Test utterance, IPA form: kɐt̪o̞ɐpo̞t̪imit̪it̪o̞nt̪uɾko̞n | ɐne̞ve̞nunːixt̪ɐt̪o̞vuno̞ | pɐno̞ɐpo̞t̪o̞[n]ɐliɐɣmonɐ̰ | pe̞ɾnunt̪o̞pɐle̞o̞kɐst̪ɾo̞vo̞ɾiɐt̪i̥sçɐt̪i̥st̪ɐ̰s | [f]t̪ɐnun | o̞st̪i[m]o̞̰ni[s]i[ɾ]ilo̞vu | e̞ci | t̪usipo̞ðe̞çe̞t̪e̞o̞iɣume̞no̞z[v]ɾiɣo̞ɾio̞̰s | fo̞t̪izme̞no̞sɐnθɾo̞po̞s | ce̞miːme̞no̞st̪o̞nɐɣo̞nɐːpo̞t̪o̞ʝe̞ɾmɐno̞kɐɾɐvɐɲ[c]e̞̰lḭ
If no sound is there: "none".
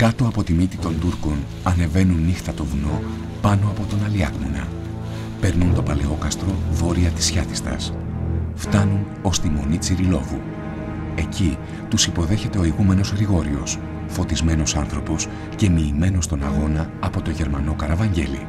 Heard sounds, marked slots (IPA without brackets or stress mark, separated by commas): n, f, m, t͡s, ɾ, ɣ, ɟ